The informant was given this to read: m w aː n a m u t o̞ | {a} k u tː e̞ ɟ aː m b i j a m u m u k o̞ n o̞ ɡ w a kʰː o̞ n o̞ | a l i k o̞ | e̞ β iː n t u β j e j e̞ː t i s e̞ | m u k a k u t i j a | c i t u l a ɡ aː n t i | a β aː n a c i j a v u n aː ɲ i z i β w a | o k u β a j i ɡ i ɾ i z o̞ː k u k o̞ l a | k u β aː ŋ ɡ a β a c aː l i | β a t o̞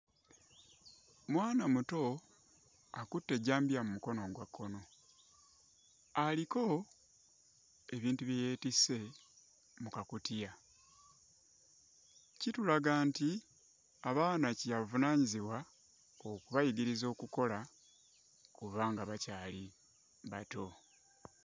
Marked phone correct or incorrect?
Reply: correct